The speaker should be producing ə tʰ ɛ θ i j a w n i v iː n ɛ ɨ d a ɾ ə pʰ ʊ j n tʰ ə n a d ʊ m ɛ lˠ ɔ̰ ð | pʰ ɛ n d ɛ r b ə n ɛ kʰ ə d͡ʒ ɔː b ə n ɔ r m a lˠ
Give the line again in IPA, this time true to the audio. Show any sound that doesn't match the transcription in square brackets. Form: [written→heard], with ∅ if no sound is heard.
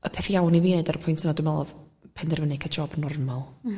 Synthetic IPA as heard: ə [tʰ→pʰ] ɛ θ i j a w n i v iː n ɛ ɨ d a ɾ ə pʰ ʊ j n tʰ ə n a d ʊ m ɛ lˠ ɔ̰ ð | pʰ ɛ n d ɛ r [b→v] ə n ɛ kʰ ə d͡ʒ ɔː b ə n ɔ r m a lˠ

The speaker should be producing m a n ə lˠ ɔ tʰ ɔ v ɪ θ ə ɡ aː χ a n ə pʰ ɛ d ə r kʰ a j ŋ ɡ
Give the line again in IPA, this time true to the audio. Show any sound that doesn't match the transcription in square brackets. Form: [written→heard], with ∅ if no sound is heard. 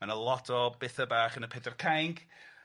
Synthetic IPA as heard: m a n ə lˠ ɔ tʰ ɔ [v→b] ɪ θ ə [ɡ→b] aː χ [a→ə] n ə pʰ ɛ d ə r kʰ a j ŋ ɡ

